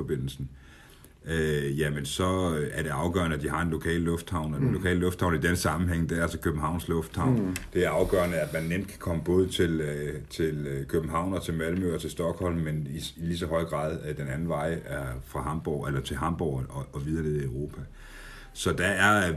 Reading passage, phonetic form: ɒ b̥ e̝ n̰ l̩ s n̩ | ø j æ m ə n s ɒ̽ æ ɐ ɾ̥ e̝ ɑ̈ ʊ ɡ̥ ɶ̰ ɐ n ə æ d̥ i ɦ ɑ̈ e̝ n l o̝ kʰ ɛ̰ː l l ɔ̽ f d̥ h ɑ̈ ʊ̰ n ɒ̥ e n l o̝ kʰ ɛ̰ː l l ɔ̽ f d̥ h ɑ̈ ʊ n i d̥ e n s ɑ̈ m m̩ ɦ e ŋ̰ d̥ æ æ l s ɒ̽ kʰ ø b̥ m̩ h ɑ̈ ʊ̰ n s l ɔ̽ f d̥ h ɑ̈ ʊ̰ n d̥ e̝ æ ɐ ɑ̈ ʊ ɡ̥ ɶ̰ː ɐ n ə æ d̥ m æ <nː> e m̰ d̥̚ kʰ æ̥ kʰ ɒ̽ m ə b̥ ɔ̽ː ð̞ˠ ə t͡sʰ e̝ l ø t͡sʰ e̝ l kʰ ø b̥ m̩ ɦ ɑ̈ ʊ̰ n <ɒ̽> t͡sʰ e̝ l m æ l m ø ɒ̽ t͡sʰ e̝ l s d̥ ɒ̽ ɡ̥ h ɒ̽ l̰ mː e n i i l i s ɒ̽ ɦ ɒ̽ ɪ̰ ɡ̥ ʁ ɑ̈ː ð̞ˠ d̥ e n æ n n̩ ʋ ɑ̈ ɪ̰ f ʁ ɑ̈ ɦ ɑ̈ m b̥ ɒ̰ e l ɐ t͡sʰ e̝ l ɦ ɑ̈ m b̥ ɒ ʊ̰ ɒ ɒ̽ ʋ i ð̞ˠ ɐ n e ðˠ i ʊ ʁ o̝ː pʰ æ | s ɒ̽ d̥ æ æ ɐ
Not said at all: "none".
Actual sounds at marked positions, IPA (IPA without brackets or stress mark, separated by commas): nː, ɒ̽